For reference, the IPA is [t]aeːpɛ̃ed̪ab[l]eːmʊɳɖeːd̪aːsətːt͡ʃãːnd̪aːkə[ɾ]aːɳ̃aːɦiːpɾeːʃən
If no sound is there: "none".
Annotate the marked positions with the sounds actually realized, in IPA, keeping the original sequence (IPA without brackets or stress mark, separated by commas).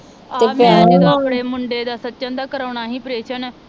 t, ɽ, ɾ